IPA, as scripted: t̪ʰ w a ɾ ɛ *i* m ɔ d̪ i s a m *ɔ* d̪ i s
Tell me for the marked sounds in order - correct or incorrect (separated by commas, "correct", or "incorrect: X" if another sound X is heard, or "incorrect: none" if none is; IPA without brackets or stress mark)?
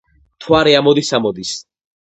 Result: incorrect: a, correct